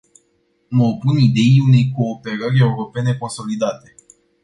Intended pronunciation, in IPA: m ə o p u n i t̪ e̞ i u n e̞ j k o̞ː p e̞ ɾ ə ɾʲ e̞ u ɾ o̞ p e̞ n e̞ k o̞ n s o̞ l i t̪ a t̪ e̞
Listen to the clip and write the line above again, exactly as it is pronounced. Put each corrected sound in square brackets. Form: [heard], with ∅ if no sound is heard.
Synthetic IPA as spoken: m ə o p u n i [d̪] e̞ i u n e̞ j k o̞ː p e̞ ɾ ə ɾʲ e̞ u ɾ o̞ p e̞ n e̞ k o̞ n s o̞ l i [d̪] a t̪ e̞